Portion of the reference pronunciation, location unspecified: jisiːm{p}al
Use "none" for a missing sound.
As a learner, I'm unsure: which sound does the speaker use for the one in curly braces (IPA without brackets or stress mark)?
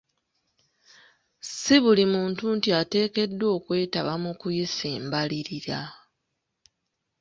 b